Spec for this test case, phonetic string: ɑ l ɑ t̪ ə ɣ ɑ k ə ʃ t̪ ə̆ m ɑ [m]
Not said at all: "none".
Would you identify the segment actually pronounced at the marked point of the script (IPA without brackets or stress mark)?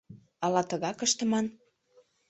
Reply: n